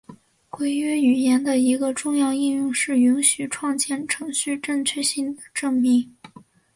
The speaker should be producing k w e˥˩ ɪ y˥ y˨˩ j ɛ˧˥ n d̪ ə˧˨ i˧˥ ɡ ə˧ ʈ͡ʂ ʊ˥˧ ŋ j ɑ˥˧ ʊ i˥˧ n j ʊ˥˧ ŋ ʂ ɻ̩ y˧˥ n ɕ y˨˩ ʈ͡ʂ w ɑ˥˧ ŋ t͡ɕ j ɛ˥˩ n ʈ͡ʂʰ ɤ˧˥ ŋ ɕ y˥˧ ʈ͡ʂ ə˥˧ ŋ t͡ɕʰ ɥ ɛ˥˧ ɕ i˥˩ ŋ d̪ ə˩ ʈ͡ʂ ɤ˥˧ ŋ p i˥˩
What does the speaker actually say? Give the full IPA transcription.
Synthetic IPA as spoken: k w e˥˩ ɪ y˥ y˨˩ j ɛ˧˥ n d̪ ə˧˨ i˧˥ ɡ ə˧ ʈ͡ʂ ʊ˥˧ ŋ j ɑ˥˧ ʊ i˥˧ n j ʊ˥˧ ŋ ʂ ɻ̩ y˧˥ n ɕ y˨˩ ʈ͡ʂʰ w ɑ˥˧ ŋ t͡ɕ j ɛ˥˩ n ʈ͡ʂʰ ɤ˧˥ ŋ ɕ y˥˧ ʈ͡ʂ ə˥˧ ŋ t͡ɕʰ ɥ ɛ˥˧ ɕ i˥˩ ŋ d̪ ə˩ ʈ͡ʂ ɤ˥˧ ŋ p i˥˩